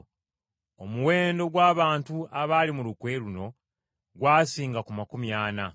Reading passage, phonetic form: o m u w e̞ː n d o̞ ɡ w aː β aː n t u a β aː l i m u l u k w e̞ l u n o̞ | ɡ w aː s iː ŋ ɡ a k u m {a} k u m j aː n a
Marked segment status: correct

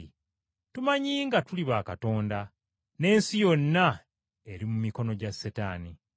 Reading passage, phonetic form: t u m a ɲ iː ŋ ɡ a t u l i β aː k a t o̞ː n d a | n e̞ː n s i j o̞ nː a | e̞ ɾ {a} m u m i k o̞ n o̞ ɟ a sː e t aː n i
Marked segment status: incorrect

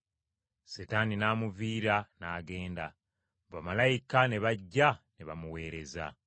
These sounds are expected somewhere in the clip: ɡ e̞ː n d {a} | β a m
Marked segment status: correct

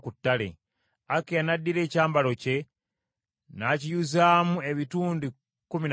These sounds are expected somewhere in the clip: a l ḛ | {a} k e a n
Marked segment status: correct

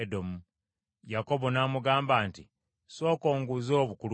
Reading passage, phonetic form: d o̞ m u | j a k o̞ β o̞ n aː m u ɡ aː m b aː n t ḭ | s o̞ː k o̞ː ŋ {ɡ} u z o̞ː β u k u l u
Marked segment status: correct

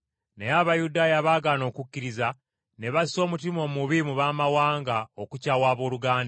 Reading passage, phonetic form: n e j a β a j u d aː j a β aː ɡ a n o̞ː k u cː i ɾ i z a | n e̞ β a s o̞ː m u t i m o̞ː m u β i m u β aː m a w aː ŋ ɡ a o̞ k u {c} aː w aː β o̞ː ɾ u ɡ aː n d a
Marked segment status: correct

